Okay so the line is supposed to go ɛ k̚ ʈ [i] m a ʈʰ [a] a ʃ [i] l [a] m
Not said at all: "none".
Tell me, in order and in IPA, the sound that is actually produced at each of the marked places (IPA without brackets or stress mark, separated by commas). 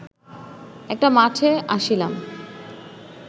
a, e, i, a